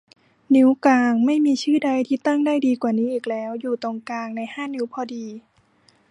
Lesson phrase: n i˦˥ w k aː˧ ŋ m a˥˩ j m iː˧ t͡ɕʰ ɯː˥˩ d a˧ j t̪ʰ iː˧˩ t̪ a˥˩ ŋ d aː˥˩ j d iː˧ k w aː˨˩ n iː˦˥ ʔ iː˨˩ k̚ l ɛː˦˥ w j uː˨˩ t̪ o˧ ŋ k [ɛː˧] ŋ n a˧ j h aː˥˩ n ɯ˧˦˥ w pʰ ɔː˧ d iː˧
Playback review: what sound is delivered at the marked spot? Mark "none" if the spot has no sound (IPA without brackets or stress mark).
aː˧